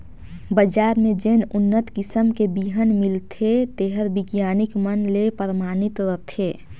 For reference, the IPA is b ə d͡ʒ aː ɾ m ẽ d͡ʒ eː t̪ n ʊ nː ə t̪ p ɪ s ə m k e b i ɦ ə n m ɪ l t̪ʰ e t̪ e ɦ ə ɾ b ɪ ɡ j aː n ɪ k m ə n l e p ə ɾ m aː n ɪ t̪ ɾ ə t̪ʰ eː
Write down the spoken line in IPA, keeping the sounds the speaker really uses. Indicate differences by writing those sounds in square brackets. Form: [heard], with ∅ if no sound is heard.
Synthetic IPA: b ə d͡ʒ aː ɾ m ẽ d͡ʒ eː [∅] n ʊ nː ə t̪ [k] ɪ s ə m k e b i ɦ ə n m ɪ l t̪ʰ e t̪ e ɦ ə ɾ b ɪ ɡ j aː n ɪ k m ə n l e p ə ɾ m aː n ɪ t̪ ɾ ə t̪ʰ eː

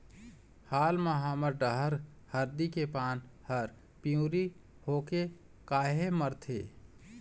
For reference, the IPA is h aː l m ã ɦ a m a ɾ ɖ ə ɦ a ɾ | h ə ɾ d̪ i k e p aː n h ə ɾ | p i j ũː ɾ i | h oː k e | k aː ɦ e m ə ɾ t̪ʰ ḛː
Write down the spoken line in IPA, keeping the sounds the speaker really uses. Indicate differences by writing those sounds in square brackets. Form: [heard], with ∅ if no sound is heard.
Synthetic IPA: h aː l m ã ɦ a m [ə] ɾ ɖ ə ɦ [ə] ɾ | h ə ɾ d̪ i k e p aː n h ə ɾ | p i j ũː ɾ i | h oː k e | k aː ɦ e m ə ɾ t̪ʰ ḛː

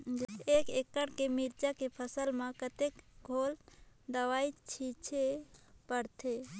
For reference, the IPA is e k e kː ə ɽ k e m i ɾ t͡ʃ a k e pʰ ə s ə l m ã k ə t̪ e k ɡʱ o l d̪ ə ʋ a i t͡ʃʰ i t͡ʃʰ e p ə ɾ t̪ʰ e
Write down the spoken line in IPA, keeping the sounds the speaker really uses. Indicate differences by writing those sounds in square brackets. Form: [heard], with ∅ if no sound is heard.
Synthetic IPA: e k e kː ə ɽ k e m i ɾ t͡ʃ a k e pʰ ə s ə l m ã k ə t̪ e k ɡʱ o l d̪ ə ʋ a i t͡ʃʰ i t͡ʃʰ e p ə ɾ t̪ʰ e

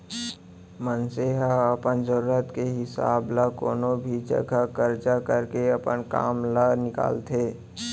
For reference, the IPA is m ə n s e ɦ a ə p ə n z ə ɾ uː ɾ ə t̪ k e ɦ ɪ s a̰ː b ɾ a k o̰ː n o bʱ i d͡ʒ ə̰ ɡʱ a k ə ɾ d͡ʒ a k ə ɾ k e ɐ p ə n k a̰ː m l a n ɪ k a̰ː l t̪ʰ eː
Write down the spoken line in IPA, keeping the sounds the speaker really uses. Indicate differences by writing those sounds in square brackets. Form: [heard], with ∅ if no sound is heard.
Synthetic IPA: m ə n s e ɦ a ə p ə n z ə ɾ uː ɾ ə t̪ k e ɦ ɪ s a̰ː b [l] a k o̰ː n o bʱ i d͡ʒ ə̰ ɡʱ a k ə ɾ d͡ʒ a k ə ɾ k e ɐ p ə n k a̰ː m l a n ɪ k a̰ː l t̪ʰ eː

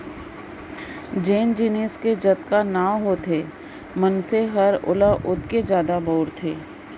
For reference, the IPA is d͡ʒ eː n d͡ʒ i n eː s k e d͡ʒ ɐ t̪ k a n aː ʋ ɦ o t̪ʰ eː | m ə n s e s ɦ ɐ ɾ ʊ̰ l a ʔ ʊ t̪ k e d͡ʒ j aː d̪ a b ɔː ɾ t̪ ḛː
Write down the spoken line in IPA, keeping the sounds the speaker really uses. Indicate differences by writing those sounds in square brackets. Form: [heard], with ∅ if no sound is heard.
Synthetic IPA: d͡ʒ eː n d͡ʒ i n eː s k e d͡ʒ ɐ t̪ k a n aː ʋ ɦ o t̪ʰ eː | m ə n s e [∅] ɦ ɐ ɾ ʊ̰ l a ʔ ʊ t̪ k e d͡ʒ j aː d̪ a b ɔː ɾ [t̪ʰ] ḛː

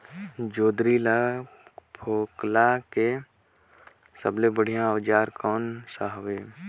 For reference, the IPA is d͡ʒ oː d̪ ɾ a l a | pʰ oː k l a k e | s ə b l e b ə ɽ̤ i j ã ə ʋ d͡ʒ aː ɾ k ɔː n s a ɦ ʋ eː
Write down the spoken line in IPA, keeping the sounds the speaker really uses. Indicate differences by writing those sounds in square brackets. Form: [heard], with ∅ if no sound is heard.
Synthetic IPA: d͡ʒ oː d̪ ɾ [i] l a | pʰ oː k l a k e | s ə b l e b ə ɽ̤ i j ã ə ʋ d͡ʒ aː ɾ k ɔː n s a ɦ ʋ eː

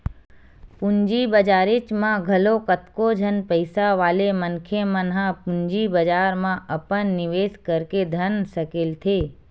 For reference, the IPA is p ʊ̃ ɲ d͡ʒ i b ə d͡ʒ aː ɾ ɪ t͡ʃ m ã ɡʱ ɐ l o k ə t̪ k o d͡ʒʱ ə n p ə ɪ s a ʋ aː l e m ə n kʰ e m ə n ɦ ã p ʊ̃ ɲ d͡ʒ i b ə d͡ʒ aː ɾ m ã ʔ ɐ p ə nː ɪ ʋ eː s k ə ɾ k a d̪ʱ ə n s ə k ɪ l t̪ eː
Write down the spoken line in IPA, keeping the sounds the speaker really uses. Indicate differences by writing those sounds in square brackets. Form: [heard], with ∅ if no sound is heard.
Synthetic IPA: p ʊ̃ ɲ d͡ʒ i b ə d͡ʒ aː ɾ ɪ t͡ʃ m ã ɡʱ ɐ l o k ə t̪ k o d͡ʒʱ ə n p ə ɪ s a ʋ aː l e m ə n kʰ e m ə n ɦ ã p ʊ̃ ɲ d͡ʒ i b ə d͡ʒ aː ɾ m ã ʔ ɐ p ə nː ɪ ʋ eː s k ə ɾ k [e] d̪ʱ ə n s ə k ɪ l [t̪ʰ] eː

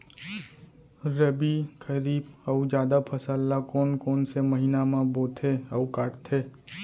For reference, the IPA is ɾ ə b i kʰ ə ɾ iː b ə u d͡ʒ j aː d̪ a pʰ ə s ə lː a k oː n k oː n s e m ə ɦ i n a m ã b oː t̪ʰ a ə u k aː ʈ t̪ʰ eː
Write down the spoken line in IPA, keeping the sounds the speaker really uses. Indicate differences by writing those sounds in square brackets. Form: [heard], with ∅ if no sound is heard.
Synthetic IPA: ɾ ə b i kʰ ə ɾ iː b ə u d͡ʒ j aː d̪ a pʰ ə s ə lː a k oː n k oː n s e m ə ɦ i n a m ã b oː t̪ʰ [e] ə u k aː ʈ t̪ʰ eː

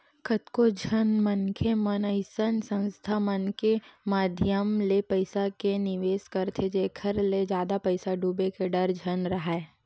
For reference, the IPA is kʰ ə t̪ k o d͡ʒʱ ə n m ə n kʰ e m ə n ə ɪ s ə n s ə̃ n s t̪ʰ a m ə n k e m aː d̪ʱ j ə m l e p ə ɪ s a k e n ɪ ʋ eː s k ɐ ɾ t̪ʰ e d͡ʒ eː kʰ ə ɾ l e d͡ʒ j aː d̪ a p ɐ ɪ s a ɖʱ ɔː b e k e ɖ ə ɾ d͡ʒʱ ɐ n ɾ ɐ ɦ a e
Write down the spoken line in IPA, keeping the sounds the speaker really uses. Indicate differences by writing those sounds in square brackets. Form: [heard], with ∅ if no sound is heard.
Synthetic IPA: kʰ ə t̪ k o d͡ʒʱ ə n m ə n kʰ e m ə n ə ɪ s ə n s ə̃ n s t̪ʰ a m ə n k e m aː d̪ʱ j ə m l e p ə ɪ s a k e n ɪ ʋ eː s k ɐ ɾ t̪ʰ e d͡ʒ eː kʰ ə ɾ l e d͡ʒ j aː d̪ a p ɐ ɪ s a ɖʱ [uː] b e k e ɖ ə ɾ d͡ʒʱ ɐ n ɾ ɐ ɦ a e

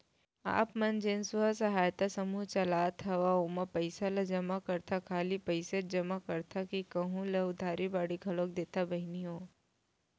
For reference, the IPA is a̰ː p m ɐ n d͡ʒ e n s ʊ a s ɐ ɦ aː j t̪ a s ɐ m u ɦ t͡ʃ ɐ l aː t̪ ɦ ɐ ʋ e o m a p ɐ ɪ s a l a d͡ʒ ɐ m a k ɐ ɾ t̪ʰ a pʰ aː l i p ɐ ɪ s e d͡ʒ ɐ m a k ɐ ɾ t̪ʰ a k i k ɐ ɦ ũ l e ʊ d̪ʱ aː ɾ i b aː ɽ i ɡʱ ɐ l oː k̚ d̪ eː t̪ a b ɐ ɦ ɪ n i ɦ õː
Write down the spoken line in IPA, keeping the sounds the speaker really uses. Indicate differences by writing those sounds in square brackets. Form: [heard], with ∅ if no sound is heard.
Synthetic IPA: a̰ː p m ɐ n d͡ʒ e n s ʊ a s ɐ ɦ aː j t̪ a s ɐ m u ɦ t͡ʃ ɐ l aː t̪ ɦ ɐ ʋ [a] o m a p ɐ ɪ s a l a d͡ʒ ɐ m a k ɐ ɾ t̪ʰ a [kʰ] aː l i p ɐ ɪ s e d͡ʒ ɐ m a k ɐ ɾ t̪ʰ a k i k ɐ ɦ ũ l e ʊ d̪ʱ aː ɾ i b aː ɽ i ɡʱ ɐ l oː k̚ d̪ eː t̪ a b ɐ ɦ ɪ n i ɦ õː

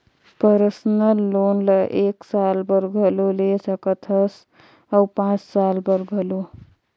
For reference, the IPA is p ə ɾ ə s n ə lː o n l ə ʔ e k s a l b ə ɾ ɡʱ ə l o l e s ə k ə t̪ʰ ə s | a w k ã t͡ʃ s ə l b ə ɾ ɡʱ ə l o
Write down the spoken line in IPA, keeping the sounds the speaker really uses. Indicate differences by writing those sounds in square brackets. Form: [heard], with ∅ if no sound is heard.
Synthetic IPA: p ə ɾ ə s n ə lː o n l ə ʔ e k s a l b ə ɾ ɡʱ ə l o l e s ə k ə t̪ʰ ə s | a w [p] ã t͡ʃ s [a] l b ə ɾ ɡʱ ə l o

